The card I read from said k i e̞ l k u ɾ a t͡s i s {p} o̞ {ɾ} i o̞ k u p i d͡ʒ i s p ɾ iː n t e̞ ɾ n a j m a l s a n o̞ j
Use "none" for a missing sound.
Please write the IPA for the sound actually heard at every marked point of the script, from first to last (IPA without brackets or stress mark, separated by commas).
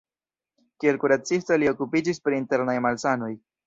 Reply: t, l